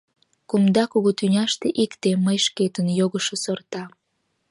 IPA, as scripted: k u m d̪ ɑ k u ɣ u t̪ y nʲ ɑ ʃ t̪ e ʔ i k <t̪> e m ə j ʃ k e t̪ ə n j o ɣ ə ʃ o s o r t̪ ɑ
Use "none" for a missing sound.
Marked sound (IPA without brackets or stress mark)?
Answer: t̪